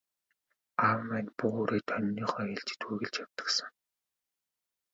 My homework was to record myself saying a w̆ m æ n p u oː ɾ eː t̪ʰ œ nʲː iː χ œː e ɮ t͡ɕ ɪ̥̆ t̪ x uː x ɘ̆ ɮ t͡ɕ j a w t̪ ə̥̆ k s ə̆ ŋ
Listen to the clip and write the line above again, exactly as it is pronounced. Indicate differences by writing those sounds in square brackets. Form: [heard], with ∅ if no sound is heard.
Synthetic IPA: a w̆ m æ n p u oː ɾ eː t̪ʰ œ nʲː iː χ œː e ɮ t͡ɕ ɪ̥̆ t̪ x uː [ɣ] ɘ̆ ɮ t͡ɕ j a w t̪ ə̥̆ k s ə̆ ŋ